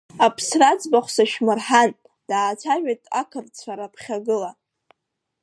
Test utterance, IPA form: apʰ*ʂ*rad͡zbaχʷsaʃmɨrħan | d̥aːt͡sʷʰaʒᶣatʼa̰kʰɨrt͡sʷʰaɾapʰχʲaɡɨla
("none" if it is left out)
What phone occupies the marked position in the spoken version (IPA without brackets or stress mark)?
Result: s